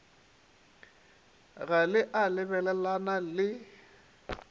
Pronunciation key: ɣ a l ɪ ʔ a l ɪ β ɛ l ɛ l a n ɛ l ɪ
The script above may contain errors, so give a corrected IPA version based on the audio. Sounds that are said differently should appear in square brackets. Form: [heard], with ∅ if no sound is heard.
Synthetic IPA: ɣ a l ɪ ʔ a l ɪ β ɛ l ɛ l a n [a] l ɪ